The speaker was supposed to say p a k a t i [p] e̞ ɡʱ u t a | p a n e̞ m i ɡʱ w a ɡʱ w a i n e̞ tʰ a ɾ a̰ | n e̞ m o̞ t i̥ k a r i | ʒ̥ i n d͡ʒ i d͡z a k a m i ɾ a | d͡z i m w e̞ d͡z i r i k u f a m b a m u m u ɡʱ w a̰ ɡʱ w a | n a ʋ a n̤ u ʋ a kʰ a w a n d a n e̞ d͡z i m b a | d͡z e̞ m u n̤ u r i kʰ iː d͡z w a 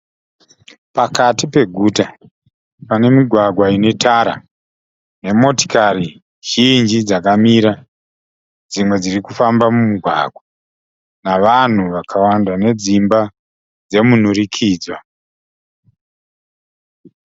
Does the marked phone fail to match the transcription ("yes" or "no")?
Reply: no